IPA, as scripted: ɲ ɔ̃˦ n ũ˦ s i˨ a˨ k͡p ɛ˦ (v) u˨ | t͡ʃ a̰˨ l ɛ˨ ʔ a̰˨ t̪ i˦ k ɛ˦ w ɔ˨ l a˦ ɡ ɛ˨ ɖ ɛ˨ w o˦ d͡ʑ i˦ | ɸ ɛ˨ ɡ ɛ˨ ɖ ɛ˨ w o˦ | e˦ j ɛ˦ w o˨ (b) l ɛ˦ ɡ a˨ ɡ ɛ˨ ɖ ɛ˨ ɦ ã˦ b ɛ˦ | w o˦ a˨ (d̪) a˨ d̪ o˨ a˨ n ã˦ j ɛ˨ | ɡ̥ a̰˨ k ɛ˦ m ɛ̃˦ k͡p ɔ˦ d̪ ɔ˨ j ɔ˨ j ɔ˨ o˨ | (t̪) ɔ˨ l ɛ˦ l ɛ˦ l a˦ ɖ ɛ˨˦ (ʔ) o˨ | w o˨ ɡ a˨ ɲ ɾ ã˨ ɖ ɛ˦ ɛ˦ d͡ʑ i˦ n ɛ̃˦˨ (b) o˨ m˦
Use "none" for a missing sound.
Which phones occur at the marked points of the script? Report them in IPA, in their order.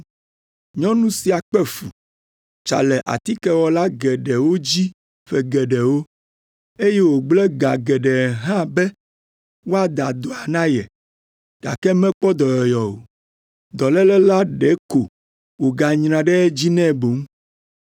f, ɡ͡b, d̪, d̪, k, b

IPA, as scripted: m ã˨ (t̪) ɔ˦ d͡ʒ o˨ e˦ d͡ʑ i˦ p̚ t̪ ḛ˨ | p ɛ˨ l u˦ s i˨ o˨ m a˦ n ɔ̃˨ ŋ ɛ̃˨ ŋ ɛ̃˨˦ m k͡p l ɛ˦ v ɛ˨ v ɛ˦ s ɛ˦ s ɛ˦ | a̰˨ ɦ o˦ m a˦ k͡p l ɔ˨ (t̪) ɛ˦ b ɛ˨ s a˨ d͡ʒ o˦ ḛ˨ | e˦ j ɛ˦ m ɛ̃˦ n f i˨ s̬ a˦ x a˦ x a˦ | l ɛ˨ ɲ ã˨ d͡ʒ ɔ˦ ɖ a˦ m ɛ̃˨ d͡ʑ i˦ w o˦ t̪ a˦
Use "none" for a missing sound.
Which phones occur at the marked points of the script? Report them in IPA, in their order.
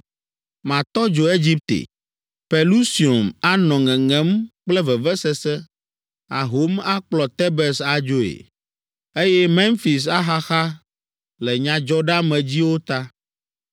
t̪, t̪

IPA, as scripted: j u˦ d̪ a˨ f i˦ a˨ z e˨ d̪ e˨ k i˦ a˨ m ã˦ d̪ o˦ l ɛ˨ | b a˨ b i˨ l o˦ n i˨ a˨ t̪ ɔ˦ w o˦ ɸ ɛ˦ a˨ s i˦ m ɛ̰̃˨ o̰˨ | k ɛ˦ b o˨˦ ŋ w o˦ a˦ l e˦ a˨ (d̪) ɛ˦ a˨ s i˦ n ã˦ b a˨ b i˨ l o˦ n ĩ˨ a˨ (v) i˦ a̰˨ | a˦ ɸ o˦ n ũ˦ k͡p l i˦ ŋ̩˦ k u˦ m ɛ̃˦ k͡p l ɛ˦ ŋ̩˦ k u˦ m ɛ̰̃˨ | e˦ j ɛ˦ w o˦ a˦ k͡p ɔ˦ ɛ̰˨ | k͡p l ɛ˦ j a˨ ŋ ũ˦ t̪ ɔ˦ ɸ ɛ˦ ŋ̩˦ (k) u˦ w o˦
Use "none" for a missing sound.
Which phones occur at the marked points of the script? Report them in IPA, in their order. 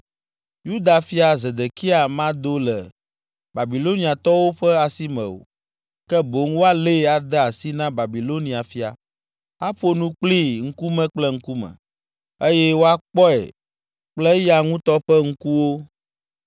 d̪, f, k

